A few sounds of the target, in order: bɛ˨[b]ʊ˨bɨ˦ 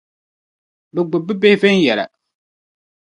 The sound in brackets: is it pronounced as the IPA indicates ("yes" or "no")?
no